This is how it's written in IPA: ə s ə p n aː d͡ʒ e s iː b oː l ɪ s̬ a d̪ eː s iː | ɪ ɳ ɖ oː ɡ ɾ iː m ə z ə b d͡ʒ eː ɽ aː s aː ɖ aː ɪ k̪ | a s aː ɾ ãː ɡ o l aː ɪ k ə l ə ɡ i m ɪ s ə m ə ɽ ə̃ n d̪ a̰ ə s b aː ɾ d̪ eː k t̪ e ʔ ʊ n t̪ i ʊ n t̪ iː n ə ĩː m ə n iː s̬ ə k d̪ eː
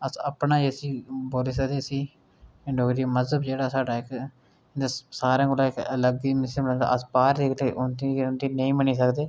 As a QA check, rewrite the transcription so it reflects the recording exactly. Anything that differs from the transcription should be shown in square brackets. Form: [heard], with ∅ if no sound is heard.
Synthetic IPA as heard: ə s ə p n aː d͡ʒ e s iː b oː l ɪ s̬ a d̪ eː s iː | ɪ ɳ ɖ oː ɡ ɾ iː m ə z ə b d͡ʒ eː ɽ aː s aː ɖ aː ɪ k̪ | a s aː ɾ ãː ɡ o l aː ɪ k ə l ə ɡ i m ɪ s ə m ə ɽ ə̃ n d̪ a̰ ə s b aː ɾ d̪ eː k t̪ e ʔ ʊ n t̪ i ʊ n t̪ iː n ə ĩː m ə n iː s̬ ə k d̪ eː